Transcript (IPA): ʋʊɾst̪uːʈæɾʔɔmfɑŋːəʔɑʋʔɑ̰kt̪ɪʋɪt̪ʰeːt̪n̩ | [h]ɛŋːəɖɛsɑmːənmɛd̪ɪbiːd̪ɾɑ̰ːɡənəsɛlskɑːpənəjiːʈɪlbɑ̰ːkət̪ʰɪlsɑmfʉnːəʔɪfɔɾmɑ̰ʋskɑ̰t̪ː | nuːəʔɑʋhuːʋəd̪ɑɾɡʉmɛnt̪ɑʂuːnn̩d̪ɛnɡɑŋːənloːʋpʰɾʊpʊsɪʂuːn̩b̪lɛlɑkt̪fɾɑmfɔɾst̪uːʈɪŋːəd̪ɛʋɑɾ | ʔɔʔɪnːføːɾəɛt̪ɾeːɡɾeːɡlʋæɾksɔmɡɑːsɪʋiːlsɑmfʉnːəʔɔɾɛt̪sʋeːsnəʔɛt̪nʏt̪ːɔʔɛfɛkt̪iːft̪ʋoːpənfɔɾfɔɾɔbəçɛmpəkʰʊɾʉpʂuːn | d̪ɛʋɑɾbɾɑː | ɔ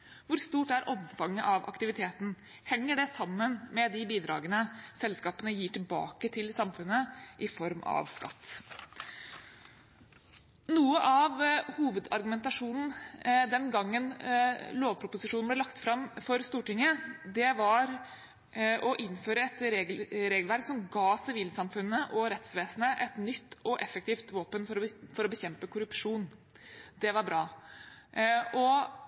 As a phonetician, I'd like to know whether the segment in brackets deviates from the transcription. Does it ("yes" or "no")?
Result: no